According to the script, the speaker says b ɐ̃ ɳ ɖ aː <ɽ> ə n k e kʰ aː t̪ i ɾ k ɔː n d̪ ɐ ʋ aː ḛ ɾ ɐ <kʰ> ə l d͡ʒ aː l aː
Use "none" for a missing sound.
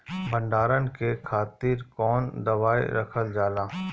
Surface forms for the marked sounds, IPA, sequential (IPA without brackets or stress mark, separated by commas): ɾ, kʰ